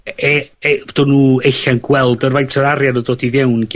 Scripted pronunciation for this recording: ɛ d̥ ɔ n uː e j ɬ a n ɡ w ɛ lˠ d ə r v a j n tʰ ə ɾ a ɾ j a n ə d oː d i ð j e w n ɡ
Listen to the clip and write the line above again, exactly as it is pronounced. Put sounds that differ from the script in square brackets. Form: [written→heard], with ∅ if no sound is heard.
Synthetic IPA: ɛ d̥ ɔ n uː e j ɬ a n ɡ w ɛ lˠ d ə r v a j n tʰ ə ɾ a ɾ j a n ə d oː d i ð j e w n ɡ